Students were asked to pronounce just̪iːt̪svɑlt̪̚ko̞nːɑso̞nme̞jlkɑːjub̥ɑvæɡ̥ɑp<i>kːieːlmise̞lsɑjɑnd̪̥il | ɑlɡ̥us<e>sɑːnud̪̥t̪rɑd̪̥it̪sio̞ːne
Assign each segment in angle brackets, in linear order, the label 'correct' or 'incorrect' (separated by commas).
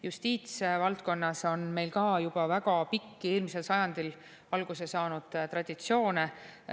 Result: correct, correct